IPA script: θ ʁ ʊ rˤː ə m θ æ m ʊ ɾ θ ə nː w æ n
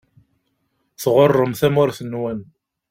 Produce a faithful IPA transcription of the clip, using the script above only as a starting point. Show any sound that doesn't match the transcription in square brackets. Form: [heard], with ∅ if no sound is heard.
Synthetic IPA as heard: θ ʁ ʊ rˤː ə m θ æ m ʊ ɾ θ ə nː w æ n